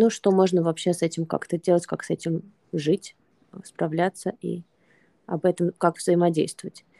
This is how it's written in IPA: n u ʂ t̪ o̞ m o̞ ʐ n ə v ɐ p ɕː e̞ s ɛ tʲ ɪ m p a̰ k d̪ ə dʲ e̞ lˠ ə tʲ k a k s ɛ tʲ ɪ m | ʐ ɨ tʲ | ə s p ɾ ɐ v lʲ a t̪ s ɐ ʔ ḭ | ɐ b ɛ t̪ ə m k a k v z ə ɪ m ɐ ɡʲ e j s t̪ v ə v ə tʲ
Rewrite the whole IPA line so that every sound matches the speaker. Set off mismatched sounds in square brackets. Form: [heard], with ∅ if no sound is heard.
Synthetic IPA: n u ʂ t̪ o̞ m o̞ ʐ n ə v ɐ p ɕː e̞ s ɛ tʲ ɪ m [k] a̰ k [t̪] ə dʲ e̞ lˠ ə tʲ k a k s ɛ tʲ ɪ m | ʐ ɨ tʲ | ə s p ɾ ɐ v lʲ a t̪ s [ə] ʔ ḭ | ɐ b ɛ t̪ ə m k a k v z ə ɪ m ɐ [dʲ] e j s t̪ v ə v ə tʲ